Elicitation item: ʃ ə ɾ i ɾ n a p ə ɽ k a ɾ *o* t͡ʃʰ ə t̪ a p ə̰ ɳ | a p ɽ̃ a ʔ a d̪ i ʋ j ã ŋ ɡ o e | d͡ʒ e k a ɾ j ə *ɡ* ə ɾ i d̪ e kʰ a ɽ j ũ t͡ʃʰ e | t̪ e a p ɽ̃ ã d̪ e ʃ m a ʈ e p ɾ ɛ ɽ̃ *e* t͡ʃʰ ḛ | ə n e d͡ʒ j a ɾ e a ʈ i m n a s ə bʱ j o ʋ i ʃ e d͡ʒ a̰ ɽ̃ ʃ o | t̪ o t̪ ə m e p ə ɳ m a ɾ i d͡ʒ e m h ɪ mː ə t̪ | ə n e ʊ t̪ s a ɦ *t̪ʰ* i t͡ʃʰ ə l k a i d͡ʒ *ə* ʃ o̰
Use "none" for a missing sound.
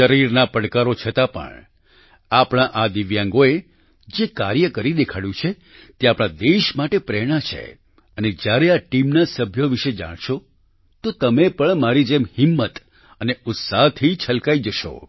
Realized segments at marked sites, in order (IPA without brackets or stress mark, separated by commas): o, k, a, t̪ʰ, ə